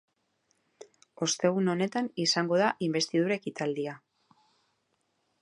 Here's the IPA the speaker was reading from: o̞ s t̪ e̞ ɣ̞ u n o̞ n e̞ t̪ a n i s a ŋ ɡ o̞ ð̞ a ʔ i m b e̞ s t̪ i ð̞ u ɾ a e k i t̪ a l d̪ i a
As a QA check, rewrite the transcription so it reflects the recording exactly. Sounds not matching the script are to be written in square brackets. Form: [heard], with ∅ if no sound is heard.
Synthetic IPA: o̞ s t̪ e̞ ɣ̞ u n o̞ n e̞ t̪ a n i s a ŋ ɡ o̞ ð̞ a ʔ i m b e̞ s t̪ i ð̞ u ɾ a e k i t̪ a l d̪ i a